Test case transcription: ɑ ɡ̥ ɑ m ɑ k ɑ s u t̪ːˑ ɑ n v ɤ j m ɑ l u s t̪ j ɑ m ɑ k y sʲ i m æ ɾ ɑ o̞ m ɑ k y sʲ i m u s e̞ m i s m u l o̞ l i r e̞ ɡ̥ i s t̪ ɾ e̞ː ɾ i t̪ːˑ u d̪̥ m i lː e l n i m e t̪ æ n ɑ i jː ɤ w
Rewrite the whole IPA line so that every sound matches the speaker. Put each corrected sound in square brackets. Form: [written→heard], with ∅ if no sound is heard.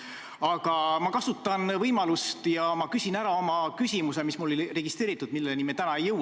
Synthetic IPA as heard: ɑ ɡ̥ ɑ m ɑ k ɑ s u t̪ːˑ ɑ n v ɤ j m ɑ l u s t̪ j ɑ m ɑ k y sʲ i [m→n] æ ɾ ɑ o̞ m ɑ k y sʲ i m u s e̞ m i s m u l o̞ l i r e̞ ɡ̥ i s t̪ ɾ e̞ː ɾ i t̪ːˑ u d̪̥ m i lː e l n i m e t̪ æ n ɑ [i→e] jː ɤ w